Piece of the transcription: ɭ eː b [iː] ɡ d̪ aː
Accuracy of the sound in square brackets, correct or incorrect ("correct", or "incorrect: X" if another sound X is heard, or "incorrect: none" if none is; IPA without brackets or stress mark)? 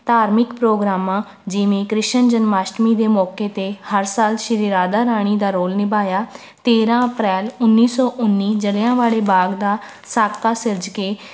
incorrect: aː